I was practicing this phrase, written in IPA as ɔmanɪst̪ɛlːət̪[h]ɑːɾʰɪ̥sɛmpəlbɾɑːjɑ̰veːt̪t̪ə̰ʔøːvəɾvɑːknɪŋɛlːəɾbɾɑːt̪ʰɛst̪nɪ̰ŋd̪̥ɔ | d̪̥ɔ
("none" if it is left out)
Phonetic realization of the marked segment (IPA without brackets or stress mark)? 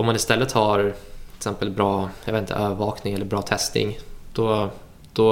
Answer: h